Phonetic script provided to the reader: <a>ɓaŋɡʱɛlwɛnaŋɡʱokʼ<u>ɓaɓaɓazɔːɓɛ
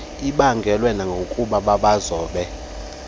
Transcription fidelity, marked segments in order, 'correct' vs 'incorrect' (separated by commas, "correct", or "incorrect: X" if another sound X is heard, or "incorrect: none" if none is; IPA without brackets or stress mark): incorrect: i, correct